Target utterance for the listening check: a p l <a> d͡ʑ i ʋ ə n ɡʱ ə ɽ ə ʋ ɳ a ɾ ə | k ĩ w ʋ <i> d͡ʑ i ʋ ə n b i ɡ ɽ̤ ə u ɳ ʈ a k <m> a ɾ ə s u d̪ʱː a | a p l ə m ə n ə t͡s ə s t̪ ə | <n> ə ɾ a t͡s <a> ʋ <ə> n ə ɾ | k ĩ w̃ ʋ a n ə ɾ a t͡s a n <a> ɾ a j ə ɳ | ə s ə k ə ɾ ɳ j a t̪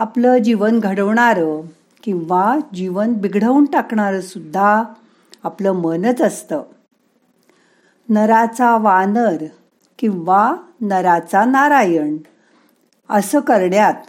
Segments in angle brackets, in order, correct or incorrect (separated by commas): incorrect, incorrect, incorrect, correct, correct, incorrect, correct